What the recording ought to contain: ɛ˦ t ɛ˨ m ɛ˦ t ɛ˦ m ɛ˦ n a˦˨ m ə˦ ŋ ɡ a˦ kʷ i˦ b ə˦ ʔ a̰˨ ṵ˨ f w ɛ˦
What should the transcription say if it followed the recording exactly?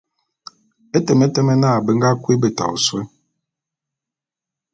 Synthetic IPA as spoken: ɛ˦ t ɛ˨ m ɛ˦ t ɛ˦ m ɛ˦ n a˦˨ b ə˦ ŋ ɡ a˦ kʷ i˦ b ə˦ t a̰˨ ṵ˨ s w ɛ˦